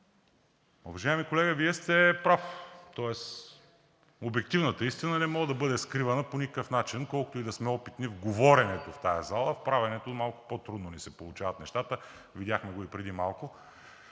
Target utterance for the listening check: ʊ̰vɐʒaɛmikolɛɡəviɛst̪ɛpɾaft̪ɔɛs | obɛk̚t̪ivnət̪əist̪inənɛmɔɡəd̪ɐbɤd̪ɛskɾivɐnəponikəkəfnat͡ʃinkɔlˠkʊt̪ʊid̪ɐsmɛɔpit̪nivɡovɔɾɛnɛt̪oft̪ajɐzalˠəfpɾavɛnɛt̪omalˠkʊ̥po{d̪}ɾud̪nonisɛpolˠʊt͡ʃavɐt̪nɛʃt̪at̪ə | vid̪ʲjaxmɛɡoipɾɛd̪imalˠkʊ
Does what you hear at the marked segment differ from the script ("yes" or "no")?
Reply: yes